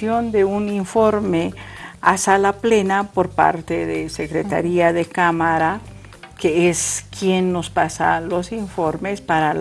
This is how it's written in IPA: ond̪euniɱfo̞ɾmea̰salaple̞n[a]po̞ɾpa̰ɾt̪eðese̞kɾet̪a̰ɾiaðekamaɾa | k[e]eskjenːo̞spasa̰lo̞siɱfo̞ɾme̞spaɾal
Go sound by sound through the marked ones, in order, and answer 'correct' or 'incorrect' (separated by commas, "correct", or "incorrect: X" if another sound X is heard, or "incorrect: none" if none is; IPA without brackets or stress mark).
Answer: correct, correct